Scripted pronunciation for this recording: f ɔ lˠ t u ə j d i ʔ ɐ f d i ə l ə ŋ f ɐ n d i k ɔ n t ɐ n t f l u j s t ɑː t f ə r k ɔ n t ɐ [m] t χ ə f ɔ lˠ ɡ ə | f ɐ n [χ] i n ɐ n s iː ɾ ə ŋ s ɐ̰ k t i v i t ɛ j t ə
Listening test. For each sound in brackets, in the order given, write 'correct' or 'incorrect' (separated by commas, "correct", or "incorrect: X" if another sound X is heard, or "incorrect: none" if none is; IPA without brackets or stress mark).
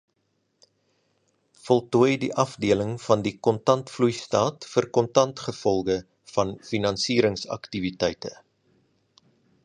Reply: incorrect: n, incorrect: f